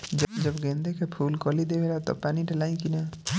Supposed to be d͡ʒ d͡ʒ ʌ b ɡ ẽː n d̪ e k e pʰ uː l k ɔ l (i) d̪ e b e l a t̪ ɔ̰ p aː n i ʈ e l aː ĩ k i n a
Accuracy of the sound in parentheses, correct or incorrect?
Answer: correct